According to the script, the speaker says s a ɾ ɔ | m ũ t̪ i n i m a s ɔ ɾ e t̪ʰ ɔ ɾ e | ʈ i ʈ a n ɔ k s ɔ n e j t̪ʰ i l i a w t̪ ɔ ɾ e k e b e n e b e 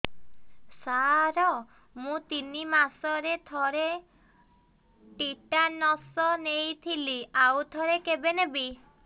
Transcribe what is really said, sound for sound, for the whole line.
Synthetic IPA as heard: s a ɾ ɔ | m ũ t̪ i n i m a s ɔ ɾ e t̪ʰ ɔ ɾ e | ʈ i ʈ a n ɔ s ɔ n e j t̪ʰ i l i a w t̪ʰ ɔ ɾ e k e b e n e b i